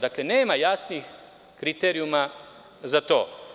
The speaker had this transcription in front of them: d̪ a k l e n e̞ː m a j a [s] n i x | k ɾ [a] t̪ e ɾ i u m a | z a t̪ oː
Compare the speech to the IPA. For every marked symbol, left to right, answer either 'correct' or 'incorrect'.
correct, incorrect: i

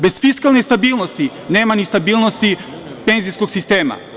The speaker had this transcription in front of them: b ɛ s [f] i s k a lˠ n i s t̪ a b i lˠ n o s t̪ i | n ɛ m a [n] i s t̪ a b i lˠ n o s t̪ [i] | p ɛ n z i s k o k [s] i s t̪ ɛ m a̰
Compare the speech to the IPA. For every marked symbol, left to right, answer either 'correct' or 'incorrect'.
correct, correct, correct, correct

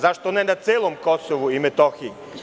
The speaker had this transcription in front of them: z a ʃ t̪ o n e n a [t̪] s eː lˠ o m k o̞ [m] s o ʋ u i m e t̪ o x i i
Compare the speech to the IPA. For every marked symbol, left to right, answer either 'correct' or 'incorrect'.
correct, incorrect: none

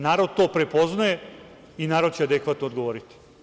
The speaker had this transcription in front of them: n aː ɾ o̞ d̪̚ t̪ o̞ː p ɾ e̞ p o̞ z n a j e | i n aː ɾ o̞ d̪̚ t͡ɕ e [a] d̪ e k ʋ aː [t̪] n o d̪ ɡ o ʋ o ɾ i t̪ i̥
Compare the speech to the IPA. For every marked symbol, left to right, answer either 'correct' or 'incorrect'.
correct, correct

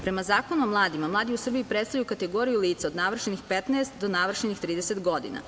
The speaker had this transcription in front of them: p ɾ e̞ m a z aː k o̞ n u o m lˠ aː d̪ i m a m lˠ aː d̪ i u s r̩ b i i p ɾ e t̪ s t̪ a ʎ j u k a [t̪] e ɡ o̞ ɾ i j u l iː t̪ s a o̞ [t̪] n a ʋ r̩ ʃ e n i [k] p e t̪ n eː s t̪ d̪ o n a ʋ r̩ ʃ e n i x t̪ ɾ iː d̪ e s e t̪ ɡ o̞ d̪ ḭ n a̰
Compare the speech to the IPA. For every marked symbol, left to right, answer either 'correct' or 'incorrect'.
correct, incorrect: d̪, incorrect: x

